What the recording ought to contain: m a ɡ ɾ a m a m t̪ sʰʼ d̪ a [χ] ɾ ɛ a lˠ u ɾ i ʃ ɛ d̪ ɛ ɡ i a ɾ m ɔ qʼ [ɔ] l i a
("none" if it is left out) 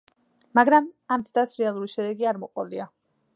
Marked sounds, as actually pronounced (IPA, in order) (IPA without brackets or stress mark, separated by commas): s, ɔ